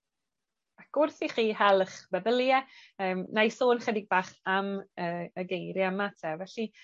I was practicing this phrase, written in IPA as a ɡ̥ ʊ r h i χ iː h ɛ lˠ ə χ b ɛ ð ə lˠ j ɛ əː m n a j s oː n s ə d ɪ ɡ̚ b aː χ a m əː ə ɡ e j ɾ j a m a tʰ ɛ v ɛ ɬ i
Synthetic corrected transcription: a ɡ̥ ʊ r θ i χ iː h ɛ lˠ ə χ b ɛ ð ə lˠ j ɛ əː m n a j s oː n χ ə d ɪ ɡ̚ b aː χ a m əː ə ɡ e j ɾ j a m a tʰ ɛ v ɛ ɬ i